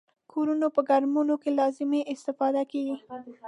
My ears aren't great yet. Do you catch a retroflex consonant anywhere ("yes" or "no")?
no